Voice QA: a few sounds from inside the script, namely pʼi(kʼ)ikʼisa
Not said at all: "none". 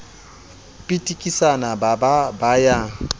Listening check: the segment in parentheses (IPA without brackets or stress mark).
tʼ